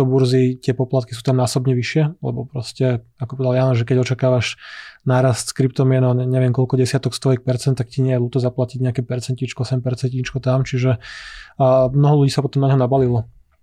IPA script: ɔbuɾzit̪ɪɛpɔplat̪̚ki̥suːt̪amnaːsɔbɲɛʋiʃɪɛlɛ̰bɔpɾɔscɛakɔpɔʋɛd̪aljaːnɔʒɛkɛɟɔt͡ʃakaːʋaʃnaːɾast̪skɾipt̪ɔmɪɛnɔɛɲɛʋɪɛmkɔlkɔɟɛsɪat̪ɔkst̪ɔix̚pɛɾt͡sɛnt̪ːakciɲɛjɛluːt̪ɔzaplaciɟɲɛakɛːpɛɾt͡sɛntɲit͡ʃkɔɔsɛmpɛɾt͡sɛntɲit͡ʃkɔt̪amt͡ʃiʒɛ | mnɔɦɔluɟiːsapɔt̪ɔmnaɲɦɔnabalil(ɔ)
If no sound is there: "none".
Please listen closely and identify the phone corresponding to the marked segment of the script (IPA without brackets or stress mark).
ɔ